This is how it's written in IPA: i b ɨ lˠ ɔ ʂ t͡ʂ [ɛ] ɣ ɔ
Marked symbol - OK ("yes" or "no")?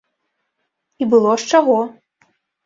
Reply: no